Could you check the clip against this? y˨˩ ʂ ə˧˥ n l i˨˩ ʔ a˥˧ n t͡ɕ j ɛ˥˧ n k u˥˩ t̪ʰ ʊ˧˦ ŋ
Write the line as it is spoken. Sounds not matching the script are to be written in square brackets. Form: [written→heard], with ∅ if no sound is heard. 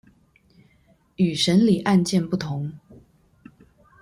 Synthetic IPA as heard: y˨˩ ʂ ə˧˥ n l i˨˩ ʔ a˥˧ n t͡ɕ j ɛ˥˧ n [k→p] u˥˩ t̪ʰ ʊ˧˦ ŋ